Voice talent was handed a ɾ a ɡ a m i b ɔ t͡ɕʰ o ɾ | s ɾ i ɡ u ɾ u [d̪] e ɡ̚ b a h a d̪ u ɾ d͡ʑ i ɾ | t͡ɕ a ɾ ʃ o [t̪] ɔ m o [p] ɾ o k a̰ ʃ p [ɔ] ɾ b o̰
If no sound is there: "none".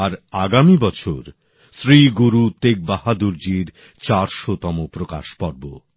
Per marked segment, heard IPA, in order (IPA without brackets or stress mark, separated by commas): t̪, t̪, p, ɔ